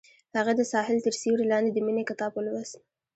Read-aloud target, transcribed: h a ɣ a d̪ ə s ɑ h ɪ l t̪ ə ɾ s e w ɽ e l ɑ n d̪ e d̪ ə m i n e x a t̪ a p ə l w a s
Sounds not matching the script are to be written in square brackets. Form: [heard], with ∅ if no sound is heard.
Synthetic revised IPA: h a ɣ a d̪ ə s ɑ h ɪ l t̪ ə ɾ s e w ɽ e l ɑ n d̪ e d̪ ə m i n e [k] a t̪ [ɑ] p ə l w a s